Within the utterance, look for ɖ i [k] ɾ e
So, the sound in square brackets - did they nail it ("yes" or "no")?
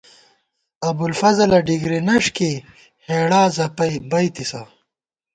no